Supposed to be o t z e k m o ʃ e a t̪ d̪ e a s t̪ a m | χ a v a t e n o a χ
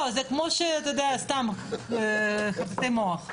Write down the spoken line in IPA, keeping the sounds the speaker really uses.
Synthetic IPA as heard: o z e k m o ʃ e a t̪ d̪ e a s t̪ a m | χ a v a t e m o a χ